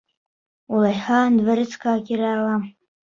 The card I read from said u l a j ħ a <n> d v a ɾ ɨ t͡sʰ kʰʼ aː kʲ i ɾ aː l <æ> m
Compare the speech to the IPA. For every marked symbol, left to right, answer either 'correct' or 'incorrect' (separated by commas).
correct, incorrect